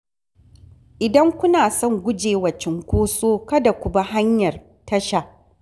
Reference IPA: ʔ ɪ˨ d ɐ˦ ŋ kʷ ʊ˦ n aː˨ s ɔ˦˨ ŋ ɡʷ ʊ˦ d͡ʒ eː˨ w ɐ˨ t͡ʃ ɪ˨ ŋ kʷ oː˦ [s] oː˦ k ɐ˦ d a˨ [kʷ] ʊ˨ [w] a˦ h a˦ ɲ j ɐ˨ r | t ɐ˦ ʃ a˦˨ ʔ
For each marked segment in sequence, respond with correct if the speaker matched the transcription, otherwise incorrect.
correct, correct, incorrect: b

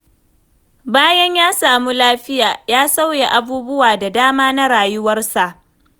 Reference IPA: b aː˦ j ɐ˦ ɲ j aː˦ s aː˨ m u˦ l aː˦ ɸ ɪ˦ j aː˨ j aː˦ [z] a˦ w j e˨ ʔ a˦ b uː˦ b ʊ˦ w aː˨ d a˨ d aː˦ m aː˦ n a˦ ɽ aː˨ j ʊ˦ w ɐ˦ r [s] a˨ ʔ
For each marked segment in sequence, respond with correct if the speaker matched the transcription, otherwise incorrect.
incorrect: s, correct

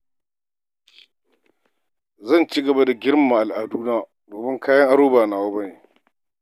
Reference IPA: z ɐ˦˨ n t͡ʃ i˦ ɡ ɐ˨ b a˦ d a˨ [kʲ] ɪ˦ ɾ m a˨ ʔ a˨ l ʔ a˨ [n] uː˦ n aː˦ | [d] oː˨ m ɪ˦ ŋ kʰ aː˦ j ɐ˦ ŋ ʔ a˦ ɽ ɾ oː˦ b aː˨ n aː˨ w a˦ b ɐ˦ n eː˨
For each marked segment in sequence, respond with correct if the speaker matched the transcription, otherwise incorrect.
incorrect: ɡʲ, incorrect: d, correct

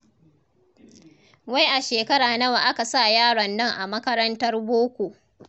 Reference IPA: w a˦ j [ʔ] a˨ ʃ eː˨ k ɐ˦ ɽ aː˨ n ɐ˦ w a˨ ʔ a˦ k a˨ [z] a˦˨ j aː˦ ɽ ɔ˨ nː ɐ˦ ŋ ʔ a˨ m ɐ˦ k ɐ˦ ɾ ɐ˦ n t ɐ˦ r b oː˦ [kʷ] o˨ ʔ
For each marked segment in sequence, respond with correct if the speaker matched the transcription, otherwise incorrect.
correct, incorrect: s, correct

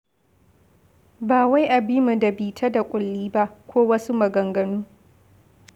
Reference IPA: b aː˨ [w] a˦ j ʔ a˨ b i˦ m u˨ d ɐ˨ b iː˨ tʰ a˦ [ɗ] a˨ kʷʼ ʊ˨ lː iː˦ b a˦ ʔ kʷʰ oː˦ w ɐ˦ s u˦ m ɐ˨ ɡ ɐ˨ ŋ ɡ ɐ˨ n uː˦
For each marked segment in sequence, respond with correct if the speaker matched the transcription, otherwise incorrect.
correct, incorrect: d

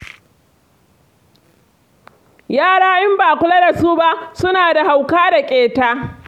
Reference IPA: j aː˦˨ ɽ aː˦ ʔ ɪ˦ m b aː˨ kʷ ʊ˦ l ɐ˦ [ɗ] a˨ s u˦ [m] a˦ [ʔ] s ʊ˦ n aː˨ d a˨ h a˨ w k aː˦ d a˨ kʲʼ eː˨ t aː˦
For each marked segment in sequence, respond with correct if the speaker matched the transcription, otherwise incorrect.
incorrect: d, incorrect: b, correct

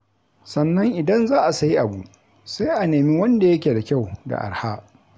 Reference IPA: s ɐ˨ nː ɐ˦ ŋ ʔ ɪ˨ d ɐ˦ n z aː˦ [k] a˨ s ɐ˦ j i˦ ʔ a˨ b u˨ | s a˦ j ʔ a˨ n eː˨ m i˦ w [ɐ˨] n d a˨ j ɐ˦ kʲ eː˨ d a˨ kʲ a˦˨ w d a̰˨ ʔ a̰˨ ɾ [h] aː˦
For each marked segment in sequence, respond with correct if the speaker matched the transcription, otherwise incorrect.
incorrect: ʔ, incorrect: ɐ˦, correct

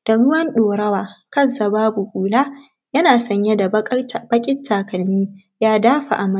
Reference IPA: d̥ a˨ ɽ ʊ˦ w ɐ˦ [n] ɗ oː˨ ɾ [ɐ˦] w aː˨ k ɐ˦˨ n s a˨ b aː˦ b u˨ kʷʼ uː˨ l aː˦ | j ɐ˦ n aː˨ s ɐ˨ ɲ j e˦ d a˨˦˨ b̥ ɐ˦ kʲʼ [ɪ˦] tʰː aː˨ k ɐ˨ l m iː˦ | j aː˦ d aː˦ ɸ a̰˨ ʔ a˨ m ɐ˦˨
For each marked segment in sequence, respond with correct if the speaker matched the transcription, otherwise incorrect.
correct, correct, correct

